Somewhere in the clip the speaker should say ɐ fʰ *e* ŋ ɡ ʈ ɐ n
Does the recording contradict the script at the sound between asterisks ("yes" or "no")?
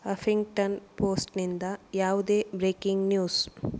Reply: yes